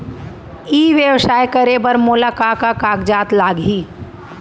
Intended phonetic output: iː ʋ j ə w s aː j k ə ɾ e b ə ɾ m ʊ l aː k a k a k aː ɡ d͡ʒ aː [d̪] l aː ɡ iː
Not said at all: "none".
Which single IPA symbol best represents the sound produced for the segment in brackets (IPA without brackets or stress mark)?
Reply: t̪